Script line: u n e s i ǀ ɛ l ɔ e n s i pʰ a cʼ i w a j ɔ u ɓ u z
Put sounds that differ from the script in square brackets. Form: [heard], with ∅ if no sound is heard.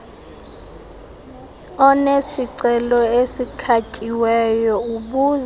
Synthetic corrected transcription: [ɔ] n e s i ǀ ɛ l ɔ e [∅] s i [kʰ] a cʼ i w [ɛ] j ɔ u ɓ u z